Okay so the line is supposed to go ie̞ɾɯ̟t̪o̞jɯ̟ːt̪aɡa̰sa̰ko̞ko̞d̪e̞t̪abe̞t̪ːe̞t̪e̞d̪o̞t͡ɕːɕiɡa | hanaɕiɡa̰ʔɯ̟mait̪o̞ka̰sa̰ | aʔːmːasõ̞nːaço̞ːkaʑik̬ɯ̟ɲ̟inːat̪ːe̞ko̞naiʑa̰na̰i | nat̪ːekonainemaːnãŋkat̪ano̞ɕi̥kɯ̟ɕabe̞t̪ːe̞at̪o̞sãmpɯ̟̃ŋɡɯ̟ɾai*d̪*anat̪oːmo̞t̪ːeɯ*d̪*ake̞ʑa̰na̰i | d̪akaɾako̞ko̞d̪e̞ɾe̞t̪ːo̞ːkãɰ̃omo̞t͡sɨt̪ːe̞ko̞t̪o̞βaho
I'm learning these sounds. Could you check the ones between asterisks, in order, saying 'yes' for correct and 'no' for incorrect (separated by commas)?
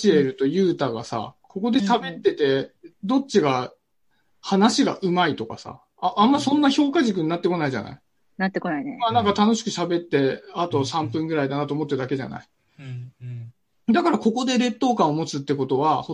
yes, yes